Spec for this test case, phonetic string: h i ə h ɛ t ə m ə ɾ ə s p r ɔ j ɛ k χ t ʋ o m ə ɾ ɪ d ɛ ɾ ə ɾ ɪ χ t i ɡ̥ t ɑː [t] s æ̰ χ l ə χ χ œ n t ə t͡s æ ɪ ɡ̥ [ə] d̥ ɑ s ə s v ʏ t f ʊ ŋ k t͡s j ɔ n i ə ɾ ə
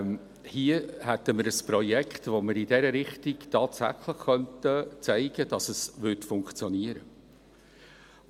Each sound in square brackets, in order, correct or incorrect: correct, correct

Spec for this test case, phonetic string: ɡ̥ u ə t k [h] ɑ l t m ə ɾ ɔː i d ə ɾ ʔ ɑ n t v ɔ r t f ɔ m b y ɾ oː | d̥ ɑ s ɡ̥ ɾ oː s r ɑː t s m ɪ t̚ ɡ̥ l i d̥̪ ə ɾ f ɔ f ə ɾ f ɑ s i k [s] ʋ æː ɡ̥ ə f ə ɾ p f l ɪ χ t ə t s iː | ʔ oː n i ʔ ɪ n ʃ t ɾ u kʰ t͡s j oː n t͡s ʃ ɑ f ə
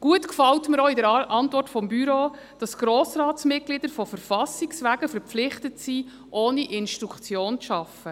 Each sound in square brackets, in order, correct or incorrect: incorrect: f, correct

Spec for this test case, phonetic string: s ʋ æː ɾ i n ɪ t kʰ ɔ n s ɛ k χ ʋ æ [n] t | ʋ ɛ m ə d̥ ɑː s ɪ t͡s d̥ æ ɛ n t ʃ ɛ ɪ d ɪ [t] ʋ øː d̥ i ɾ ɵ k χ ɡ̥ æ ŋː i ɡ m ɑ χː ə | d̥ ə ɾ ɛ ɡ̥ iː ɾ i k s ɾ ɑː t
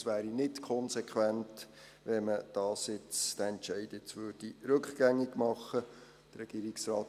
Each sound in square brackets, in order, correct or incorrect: correct, incorrect: t͡s

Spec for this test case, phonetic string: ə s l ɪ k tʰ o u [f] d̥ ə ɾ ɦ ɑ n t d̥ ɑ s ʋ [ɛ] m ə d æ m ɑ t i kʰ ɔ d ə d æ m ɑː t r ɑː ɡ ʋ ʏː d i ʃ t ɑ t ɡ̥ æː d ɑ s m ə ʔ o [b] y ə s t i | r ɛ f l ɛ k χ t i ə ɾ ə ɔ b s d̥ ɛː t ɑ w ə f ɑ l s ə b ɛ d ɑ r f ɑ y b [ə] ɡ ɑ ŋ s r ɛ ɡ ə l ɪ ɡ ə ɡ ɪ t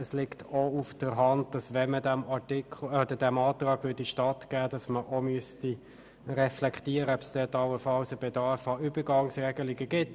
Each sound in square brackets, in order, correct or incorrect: correct, correct, incorrect: m, correct

